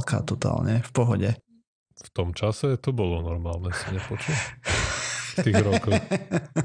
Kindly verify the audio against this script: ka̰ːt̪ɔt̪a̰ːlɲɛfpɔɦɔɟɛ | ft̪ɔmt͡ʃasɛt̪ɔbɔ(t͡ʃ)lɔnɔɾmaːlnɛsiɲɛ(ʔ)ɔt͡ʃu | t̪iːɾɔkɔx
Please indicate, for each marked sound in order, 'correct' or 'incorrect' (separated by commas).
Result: incorrect, incorrect